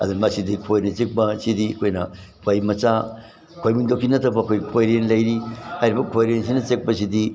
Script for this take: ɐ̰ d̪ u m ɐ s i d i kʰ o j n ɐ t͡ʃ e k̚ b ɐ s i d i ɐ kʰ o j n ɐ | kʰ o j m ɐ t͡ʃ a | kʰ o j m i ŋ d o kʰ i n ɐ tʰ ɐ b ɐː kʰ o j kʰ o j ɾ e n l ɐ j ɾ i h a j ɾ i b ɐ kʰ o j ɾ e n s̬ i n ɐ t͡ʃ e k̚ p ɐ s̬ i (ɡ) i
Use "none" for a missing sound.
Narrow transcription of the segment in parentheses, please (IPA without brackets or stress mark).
d